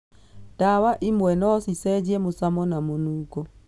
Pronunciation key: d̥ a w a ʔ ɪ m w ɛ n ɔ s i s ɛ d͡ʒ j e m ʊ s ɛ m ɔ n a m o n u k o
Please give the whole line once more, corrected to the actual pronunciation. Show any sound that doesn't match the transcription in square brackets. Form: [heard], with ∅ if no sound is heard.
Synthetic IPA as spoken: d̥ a w a ʔ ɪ m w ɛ n ɔ s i s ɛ d͡ʒ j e m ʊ s [a] m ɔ n a m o n u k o